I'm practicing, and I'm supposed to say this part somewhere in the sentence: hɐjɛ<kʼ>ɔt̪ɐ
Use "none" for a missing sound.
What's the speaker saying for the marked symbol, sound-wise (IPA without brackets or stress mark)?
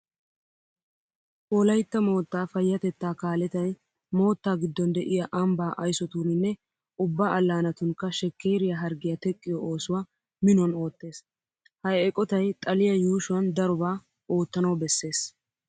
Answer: kʼ